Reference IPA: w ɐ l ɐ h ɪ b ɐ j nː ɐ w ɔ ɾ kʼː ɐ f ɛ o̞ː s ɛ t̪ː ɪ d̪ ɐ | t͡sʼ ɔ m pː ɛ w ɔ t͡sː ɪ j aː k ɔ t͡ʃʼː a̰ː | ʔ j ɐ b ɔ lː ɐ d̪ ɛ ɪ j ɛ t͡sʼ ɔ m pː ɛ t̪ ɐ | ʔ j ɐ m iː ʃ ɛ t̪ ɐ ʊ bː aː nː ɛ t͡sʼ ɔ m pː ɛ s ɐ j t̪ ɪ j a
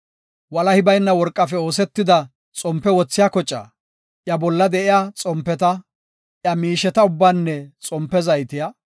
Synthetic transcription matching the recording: w ɐ l ɐ h ɪ b ɐ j nː ɐ w ɔ ɾ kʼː ɐ f ɛ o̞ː s ɛ t̪ː ɪ d̪ ɐ | t͡sʼ ɔ m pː ɛ w ɔ t͡sː ɪ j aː k ɔ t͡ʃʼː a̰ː | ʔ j ɐ b ɔ lː ɐ d̪ ɛ ɪ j a t͡sʼ ɔ m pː ɛ t̪ ɐ | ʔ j ɐ m iː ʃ ɛ t̪ ɐ ʊ bː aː nː ɛ t͡sʼ ɔ m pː ɛ z ɐ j t̪ ɪ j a